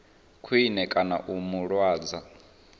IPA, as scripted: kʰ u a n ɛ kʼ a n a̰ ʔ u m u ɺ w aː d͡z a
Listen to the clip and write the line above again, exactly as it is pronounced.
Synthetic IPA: kʰ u i n ɛ kʼ a n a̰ ʔ u m u ɺ w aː d͡z a

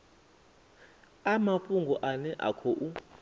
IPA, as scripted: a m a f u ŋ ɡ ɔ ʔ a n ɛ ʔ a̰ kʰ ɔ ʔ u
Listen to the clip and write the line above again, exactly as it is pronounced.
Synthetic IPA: a m a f u ŋ ɡ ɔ ʔ a n ɛ ʔ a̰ kʰ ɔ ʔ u

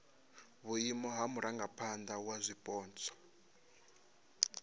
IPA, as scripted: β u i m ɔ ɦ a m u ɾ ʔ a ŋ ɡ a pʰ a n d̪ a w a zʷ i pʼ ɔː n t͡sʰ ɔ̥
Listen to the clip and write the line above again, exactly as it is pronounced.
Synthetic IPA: β u i m ɔ ɦ a m u ɾ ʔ a ŋ ɡ a pʰ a n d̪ a w a zʷ i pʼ ɔː n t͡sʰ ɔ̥

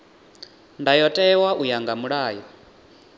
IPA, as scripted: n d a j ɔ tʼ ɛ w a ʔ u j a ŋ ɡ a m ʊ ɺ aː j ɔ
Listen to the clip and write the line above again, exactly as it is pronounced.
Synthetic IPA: n d a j ɔ tʼ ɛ w a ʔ u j a ŋ ɡ a m u ɺ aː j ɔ

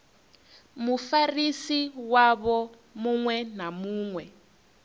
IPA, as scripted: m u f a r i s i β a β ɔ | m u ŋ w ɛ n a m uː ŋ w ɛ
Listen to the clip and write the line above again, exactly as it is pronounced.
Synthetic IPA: m u f a r i s i w a β ɔ | m u ŋ w ɛ n a m uː ŋ w ɛ

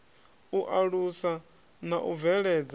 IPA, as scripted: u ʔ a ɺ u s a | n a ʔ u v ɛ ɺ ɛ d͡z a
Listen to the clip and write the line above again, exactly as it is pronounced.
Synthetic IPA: u ʔ a ɺ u s a | n a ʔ u v ɛ ɺ ɛ d͡z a

